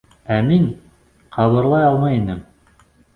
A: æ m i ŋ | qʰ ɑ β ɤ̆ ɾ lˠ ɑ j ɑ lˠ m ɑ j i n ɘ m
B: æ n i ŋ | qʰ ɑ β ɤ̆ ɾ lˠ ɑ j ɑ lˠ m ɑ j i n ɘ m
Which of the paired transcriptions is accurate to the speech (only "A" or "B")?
A